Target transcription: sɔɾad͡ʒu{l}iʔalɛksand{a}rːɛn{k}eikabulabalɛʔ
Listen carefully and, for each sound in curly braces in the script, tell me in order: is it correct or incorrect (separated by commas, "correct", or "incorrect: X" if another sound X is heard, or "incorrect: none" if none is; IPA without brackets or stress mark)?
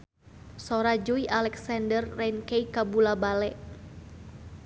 incorrect: none, incorrect: ə, correct